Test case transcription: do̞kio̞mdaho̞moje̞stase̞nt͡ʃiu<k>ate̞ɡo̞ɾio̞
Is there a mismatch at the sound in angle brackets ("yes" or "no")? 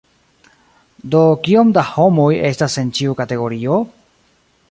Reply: no